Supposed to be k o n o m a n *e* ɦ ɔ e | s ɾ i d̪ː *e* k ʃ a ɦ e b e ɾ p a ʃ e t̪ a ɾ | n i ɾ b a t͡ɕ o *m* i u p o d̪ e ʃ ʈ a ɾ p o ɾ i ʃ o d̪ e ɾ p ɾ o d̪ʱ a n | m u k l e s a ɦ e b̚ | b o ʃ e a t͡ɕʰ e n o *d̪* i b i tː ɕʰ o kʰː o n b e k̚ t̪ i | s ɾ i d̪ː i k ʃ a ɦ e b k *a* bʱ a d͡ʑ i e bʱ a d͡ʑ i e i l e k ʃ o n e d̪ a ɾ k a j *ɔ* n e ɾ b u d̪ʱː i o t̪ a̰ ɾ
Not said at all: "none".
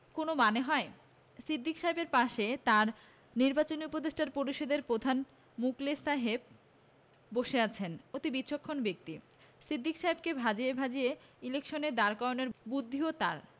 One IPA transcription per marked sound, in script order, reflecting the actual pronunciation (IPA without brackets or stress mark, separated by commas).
e, i, n, t̪, e, o